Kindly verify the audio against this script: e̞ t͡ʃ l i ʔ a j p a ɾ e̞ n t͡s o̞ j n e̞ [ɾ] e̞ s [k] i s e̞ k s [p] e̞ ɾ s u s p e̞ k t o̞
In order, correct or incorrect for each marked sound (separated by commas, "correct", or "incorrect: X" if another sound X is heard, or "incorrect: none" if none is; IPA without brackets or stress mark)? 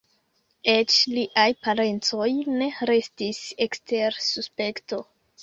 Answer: correct, incorrect: t, incorrect: t